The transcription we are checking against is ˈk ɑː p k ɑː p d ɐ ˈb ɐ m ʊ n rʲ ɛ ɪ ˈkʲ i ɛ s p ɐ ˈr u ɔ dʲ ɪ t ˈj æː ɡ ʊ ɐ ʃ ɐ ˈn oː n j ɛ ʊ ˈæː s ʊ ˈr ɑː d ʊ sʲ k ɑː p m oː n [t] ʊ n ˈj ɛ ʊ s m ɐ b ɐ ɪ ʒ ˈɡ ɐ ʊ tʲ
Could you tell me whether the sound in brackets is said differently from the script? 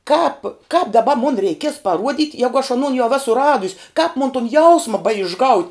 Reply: no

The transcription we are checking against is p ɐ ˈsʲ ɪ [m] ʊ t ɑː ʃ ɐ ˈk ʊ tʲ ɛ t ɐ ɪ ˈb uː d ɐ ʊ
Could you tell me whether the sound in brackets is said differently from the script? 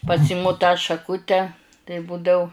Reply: no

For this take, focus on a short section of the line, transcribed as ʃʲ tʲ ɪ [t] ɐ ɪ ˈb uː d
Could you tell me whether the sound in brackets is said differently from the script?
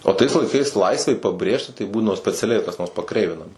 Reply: no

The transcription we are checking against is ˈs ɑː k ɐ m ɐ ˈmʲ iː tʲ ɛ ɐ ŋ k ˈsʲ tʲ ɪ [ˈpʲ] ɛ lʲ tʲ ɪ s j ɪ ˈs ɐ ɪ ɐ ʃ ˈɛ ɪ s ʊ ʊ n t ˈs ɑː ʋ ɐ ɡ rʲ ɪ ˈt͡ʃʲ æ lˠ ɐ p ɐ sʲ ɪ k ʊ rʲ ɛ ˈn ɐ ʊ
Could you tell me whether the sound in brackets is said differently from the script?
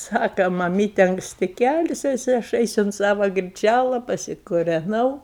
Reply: yes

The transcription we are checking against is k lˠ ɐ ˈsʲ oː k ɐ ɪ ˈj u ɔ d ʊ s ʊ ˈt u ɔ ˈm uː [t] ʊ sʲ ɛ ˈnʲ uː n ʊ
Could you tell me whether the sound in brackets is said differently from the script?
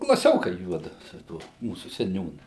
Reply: yes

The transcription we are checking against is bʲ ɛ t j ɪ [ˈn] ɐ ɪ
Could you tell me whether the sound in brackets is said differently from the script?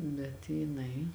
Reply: no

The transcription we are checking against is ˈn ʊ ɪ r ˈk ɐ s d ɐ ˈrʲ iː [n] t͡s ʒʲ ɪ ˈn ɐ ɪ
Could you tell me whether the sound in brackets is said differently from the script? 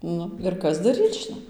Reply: yes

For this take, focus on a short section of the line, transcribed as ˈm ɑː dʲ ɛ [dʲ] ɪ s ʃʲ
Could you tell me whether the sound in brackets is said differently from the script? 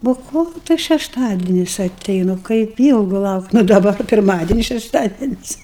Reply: yes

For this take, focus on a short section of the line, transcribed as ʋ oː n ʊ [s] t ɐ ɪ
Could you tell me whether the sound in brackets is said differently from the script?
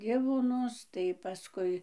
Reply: no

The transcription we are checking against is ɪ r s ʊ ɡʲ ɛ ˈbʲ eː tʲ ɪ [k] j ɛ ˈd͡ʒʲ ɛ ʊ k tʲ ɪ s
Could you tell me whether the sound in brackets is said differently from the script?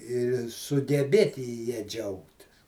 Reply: yes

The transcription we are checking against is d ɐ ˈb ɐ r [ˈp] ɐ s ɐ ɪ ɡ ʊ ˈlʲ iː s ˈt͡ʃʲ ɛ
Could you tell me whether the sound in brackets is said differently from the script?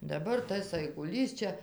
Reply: yes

